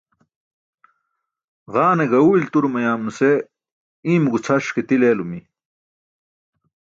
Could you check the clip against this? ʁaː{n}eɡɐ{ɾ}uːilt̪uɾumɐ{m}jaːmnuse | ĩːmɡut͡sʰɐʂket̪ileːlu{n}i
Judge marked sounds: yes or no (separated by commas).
yes, no, no, no